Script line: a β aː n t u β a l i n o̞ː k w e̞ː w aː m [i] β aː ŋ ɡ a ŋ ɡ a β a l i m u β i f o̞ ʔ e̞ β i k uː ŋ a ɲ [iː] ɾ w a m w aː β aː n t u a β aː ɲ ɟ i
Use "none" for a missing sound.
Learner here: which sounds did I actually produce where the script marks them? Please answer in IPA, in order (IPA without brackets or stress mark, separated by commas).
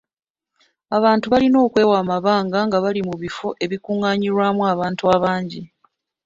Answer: a, i